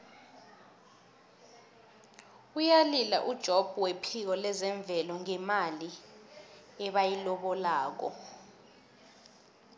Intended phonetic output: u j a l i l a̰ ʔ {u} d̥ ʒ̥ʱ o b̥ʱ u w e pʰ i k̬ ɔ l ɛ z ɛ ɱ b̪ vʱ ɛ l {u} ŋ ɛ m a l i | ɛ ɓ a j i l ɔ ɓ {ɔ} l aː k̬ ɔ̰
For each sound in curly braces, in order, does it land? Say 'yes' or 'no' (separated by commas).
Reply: yes, no, yes